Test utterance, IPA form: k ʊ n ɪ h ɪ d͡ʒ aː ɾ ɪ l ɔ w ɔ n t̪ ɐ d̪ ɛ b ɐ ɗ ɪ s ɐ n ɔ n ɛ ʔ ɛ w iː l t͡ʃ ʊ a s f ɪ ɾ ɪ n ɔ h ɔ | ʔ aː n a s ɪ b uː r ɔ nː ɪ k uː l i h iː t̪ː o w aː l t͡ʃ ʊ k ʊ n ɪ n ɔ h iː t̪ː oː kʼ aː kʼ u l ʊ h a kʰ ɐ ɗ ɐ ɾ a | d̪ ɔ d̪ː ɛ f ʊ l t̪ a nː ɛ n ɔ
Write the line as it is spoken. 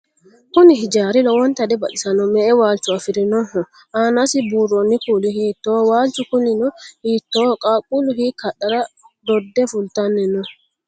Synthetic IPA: k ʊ n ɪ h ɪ d͡ʒ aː ɾ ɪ l ɔ w ɔ n t̪ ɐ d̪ ɛ b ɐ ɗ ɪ s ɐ n ɔ m ɛ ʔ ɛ w aː l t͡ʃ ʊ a f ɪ ɾ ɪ n ɔ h ɔ | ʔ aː n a s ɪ b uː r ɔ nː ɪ k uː l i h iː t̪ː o w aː l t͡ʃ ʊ k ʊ n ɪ n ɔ h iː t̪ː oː kʼ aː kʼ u l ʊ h i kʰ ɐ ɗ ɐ ɾ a | d̪ ɔ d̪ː ɛ f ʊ l t̪ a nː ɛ n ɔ